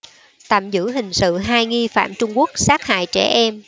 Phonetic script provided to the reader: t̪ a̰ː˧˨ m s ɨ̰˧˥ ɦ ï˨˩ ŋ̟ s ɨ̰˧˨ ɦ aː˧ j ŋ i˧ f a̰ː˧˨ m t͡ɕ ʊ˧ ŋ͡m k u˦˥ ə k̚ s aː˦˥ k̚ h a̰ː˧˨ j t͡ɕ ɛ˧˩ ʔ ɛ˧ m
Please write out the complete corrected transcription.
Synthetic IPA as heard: t̪ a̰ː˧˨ m z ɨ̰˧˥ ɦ ï˨˩ ŋ̟ s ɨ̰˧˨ ɦ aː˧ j ŋ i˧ f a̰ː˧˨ m t͡ɕ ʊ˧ ŋ͡m k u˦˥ ə k̚ s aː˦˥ k̚ h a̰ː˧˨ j t͡ɕ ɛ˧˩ ʔ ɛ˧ m

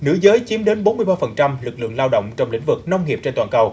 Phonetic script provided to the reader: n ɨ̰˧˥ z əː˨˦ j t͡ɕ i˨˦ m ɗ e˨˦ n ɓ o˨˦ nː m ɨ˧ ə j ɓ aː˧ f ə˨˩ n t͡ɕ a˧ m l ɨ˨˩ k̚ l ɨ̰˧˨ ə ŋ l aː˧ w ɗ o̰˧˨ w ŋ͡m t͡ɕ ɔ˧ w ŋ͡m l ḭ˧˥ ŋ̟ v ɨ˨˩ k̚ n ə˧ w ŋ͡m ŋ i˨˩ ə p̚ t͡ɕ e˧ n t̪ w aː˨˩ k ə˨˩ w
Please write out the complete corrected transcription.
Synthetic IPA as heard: n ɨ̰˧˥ z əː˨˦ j t͡ɕ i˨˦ m ɗ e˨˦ n ɓ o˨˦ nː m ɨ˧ ə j ɓ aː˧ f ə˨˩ n t͡ɕ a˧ m l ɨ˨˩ k̚ l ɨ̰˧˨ ə ŋ l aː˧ w ɗ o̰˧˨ w ŋ͡m t͡ɕ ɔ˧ w ŋ͡m l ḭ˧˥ ŋ̟ v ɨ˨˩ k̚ n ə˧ w ŋ͡m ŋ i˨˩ ə p̚ t͡ɕ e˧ n t̪ w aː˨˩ k ə˨˩ w

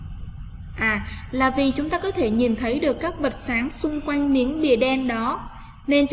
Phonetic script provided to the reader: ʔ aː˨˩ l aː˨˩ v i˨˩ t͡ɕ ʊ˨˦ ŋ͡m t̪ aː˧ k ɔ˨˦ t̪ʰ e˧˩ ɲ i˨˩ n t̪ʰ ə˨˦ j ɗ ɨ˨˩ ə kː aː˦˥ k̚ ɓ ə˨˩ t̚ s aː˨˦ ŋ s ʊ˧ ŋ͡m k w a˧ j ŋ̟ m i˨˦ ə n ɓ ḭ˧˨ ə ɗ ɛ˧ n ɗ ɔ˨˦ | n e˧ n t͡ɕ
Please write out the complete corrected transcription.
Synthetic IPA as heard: ʔ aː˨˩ l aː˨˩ v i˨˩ t͡ɕ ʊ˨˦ ŋ͡m t̪ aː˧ k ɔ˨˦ t̪ʰ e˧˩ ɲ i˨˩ n t̪ʰ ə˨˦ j ɗ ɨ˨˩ ə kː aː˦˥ k̚ ɓ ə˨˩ t̚ s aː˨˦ ŋ s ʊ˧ ŋ͡m k w a˧ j ŋ̟ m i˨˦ ə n ɓ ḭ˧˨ ə ɗ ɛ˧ n ɗ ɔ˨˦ | n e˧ n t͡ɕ

